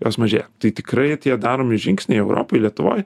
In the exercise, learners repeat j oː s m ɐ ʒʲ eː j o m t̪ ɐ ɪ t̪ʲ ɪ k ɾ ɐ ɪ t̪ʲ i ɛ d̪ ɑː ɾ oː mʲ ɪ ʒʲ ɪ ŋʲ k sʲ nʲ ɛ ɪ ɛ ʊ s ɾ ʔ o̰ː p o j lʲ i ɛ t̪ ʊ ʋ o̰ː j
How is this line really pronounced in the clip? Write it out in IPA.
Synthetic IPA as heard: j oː s m ɐ ʒʲ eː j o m t̪ ɐ ɪ t̪ʲ ɪ k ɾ ɐ ɪ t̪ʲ i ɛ d̪ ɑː ɾ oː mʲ ɪ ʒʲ ɪ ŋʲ k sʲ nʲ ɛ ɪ ɛ ʊ ɾ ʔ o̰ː p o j lʲ i ɛ t̪ ʊ ʋ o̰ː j